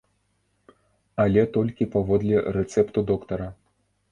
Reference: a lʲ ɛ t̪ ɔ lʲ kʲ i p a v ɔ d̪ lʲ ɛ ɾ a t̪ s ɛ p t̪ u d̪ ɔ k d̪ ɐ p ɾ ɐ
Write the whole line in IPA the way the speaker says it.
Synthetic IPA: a lʲ ɛ t̪ ɔ lʲ kʲ i p a v ɔ d̪ lʲ ɛ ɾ ɛ t̪ s ɛ p t̪ u d̪ ɔ k t̪ ɐ ɾ ɐ